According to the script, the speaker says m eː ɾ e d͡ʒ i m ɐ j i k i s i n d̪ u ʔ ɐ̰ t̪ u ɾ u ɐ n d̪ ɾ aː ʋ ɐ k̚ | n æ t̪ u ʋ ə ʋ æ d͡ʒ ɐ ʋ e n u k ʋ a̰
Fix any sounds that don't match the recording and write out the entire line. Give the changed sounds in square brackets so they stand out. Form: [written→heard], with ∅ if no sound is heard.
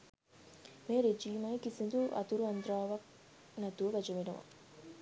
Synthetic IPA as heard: m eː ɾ e d͡ʒ [i→iː] m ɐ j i k i s i n d̪ u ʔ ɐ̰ t̪ u ɾ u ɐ n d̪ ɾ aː ʋ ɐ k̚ | n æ t̪ u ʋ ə ʋ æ d͡ʒ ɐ ʋ e n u [k→∅] ʋ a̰